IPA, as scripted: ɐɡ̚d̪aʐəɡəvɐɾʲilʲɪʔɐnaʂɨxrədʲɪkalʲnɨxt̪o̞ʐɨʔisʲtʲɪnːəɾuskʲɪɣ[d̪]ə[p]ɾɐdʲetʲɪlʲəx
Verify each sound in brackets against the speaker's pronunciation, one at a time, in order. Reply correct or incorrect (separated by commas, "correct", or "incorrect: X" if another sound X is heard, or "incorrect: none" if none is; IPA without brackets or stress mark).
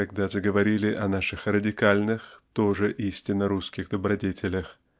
correct, incorrect: b